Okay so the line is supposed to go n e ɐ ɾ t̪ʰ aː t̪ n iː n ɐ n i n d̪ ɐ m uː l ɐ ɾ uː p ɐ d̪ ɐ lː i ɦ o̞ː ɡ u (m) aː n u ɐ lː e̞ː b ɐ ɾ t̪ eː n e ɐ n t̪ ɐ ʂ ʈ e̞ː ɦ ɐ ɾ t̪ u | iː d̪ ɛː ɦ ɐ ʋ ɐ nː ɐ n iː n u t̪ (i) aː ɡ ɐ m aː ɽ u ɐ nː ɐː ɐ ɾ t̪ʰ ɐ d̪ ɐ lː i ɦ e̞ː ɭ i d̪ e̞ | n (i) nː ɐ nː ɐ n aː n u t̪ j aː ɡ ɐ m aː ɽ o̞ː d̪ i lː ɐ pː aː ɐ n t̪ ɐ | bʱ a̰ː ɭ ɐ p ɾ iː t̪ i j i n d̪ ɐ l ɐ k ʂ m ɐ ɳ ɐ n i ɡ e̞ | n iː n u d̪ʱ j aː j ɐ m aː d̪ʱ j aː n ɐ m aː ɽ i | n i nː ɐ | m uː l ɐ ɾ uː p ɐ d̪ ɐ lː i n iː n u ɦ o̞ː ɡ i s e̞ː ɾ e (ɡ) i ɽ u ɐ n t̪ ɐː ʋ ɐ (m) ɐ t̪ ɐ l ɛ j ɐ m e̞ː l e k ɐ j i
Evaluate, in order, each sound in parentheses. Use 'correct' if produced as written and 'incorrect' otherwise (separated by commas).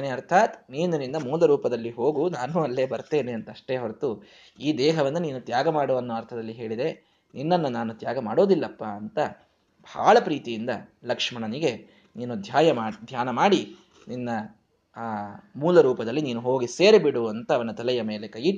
incorrect, incorrect, correct, incorrect, incorrect